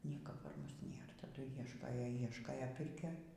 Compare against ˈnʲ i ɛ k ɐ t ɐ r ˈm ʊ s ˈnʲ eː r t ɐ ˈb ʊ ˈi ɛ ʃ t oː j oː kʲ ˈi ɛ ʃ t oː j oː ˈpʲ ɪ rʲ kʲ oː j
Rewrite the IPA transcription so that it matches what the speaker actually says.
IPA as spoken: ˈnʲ i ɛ k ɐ p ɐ r ˈm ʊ s ˈnʲ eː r t ɐ ˈd ʊ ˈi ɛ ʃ k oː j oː ˈi ɛ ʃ k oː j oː ˈpʲ ɪ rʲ kʲ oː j